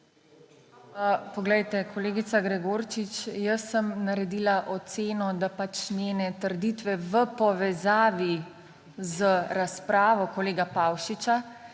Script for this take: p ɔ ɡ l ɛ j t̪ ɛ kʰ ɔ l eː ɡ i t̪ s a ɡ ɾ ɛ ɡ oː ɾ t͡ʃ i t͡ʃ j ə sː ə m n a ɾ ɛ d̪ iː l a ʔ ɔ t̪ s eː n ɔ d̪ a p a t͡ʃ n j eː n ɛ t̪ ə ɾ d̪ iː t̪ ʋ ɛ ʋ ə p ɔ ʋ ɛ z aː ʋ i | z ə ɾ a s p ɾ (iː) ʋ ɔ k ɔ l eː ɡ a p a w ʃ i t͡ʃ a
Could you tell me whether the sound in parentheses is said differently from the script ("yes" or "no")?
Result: yes